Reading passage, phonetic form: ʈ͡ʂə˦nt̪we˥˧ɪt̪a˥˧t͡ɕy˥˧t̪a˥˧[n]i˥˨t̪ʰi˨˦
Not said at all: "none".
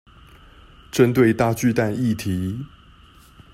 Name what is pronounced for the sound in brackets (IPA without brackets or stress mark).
n